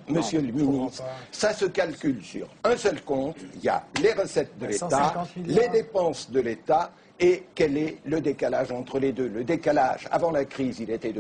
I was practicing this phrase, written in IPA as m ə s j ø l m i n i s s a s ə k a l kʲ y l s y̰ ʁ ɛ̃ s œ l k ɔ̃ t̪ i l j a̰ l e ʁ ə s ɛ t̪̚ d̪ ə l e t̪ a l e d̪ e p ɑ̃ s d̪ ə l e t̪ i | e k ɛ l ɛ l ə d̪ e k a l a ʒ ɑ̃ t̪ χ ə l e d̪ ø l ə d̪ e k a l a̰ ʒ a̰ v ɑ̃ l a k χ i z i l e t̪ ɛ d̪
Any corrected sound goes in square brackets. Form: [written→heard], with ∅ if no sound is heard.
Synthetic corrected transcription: m ə s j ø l m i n i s s a s ə k a l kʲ y l s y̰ ʁ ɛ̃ s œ l k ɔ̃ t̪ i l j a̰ l e ʁ ə s ɛ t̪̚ d̪ ə l e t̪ a l e d̪ e p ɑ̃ s d̪ ə l e t̪ [i→a] | e k ɛ l ɛ l ə d̪ e k a l a ʒ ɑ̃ t̪ χ ə l e d̪ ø l ə d̪ e k a l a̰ ʒ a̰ v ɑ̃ l a k χ i z i l e t̪ ɛ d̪